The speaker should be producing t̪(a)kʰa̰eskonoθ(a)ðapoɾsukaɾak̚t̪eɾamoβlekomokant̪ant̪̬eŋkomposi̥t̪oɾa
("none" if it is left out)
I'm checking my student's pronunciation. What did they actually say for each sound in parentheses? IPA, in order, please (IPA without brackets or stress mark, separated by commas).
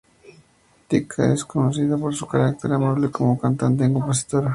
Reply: i, i